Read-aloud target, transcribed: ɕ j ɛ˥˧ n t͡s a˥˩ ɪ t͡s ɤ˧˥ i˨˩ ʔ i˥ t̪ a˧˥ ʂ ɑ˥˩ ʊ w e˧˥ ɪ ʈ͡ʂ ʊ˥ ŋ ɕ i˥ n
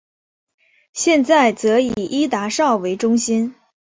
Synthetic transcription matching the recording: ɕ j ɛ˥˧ n t͡s a˥˩ ɪ t͡s ɤ˧˥ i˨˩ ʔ i˥ t̪ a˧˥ ʂ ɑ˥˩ ʊ w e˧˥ ɪ ʈ͡ʂ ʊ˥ ŋ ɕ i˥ n